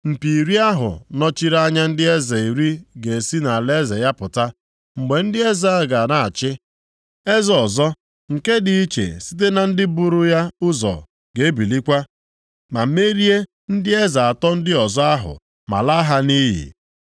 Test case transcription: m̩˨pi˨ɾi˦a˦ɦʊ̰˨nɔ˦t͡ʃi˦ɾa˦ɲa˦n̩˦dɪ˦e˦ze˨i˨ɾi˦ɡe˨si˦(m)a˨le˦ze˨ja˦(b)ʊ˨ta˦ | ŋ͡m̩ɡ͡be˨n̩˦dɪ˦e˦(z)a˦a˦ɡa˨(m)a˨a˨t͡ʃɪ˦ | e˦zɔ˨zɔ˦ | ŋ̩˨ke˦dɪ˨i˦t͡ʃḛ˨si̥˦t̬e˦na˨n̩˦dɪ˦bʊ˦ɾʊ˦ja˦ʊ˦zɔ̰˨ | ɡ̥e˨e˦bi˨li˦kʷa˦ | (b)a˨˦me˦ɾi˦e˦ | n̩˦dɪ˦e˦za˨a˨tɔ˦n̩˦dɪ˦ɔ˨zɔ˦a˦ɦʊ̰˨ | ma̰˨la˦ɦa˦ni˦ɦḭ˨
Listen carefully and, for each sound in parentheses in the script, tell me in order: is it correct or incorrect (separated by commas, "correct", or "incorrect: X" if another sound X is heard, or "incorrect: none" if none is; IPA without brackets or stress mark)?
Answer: incorrect: n, incorrect: p, correct, incorrect: n, incorrect: m